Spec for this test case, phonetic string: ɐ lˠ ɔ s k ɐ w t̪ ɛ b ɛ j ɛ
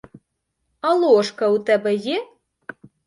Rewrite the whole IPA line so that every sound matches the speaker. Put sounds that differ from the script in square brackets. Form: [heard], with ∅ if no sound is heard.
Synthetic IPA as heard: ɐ lˠ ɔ [ʂ] k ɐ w t̪ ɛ b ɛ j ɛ

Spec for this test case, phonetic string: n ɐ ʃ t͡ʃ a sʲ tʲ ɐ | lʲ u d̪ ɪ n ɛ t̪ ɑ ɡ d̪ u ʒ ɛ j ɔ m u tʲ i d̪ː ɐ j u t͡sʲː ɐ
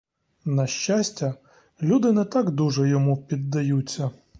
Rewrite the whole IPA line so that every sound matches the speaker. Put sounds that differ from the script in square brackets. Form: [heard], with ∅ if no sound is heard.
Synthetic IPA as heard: n ɐ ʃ t͡ʃ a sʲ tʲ ɐ | lʲ u d̪ ɪ n ɛ t̪ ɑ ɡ d̪ u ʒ ɛ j ɔ m u [pʲ] i d̪ː ɐ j u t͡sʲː ɐ

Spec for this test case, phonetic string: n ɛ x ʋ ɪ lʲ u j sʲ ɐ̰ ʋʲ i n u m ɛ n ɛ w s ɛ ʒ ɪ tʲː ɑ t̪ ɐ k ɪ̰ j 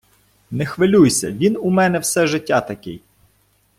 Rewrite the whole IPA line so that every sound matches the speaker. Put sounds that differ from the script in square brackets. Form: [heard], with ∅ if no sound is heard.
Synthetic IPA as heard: n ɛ x ʋ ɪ lʲ u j sʲ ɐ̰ ʋʲ i n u m ɛ n ɛ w s ɛ ʒ ɪ tʲː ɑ t̪ ɐ k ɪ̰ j

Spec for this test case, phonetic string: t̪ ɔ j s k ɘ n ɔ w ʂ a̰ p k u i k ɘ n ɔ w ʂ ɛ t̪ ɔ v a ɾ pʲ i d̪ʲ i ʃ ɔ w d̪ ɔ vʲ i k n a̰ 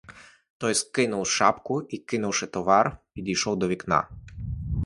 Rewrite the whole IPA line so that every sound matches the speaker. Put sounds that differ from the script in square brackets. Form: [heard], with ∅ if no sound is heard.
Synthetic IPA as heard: t̪ ɔ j s k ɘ n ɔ w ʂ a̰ p k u i k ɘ n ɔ w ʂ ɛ t̪ ɔ v a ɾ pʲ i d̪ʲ i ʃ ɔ w d̪ ɔ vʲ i k n a̰

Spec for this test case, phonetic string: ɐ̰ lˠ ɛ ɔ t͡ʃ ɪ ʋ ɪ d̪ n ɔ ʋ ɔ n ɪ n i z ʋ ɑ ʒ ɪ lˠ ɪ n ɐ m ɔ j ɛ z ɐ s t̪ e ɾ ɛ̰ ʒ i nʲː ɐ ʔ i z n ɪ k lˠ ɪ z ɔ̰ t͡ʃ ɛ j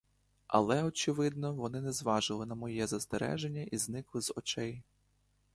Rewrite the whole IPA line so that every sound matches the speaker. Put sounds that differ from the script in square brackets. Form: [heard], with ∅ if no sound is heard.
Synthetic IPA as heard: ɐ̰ lˠ ɛ ɔ t͡ʃ ɪ ʋ ɪ d̪ n ɔ ʋ ɔ n ɪ n [ɛ] z ʋ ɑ ʒ ɪ lˠ ɪ n ɐ m ɔ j ɛ z ɐ s t̪ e ɾ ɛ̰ ʒ [e] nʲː ɐ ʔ i z n ɪ k lˠ ɪ z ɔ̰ t͡ʃ ɛ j

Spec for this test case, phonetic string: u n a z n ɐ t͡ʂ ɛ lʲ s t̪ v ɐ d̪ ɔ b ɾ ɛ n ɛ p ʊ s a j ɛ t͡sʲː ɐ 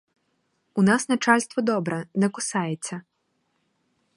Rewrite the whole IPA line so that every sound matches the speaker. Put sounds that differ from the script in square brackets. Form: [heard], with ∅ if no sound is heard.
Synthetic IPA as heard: u n a [s] n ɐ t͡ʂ [a] lʲ s t̪ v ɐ d̪ ɔ b ɾ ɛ n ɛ [k] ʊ s a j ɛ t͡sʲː ɐ

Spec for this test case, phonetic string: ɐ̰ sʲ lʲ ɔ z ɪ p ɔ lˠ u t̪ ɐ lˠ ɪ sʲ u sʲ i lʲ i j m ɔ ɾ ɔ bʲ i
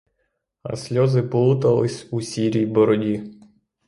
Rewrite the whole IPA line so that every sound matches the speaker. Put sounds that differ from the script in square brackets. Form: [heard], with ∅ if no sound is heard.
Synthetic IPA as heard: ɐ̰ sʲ lʲ ɔ z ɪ p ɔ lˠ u t̪ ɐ lˠ ɪ sʲ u sʲ i [ɾʲ] i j [b] ɔ ɾ ɔ [dʲ] i

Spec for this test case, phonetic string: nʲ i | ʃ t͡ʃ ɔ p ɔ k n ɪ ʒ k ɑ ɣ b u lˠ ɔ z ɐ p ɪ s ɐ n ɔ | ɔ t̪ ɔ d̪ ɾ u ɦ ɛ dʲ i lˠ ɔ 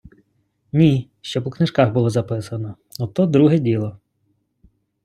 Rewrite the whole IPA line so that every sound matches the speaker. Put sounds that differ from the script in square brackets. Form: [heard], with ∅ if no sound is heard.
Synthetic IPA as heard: nʲ i | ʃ t͡ʃ ɔ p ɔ k n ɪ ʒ k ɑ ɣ b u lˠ ɔ z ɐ p ɪ s ɐ n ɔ | ɔ t̪ ɔ d̪ ɾ u ɦ ɛ dʲ i lˠ ɔ

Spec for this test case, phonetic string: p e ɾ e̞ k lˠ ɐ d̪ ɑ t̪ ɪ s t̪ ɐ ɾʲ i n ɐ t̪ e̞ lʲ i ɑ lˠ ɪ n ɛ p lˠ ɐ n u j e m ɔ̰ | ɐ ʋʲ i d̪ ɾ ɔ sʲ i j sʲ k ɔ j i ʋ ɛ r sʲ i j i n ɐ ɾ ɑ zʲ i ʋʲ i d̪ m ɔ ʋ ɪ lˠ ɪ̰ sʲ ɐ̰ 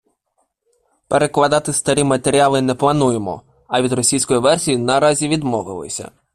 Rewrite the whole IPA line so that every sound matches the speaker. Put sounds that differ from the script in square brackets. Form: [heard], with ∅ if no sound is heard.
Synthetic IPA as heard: p e ɾ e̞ k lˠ ɐ d̪ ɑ t̪ ɪ s t̪ ɐ ɾʲ i [m] ɐ t̪ e̞ [ɾʲ] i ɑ lˠ ɪ n ɛ p lˠ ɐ n u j e m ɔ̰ | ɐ ʋʲ i d̪ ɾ ɔ sʲ i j sʲ k ɔ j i ʋ ɛ r sʲ i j i n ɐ ɾ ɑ zʲ i ʋʲ i d̪ m ɔ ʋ ɪ lˠ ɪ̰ sʲ ɐ̰

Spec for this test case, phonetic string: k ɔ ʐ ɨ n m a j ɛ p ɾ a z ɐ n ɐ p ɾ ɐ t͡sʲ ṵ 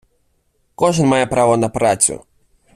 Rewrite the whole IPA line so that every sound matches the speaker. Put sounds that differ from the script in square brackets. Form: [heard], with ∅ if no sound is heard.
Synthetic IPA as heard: k ɔ ʐ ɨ n m a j ɛ p ɾ a [v] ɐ n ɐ p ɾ [a] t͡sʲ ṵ

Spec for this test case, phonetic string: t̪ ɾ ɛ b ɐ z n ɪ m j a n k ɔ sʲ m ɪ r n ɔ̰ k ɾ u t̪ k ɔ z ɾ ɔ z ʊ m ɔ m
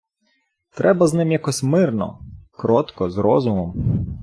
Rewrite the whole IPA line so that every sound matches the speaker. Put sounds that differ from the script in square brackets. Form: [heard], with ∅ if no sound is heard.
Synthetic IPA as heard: t̪ ɾ ɛ b ɐ z n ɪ m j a [∅] k ɔ sʲ m ɪ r n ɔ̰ k ɾ [ɔ] t̪ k ɔ z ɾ ɔ z ʊ m ɔ m

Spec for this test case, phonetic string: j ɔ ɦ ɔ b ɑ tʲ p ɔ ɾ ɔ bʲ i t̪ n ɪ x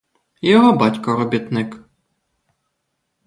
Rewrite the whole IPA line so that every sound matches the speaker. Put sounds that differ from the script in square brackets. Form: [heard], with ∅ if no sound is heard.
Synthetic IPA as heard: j ɔ ɦ ɔ b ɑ tʲ [k] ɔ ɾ ɔ bʲ i t̪ n ɪ [k]

